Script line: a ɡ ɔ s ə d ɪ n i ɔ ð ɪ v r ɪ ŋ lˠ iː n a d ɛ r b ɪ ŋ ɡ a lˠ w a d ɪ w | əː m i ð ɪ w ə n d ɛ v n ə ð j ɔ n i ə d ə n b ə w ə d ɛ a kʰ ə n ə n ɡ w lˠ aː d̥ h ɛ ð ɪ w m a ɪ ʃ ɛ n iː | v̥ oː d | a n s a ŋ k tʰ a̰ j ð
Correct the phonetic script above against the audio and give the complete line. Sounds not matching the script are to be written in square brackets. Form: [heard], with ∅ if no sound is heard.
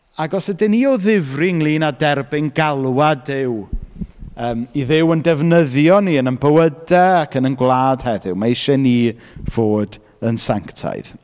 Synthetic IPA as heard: a ɡ ɔ s ə d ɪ n i ɔ ð ɪ v r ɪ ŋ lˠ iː n a d ɛ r b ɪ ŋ ɡ a lˠ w a d ɪ w | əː m i ð ɪ w ə n d ɛ v n ə ð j ɔ n i ə [n] ə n b ə w ə d ɛ a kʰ ə n ə n ɡ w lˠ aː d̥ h ɛ ð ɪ w m a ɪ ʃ ɛ n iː | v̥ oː d | [ə] n s a ŋ k tʰ a̰ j ð